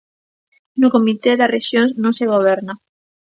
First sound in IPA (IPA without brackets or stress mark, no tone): n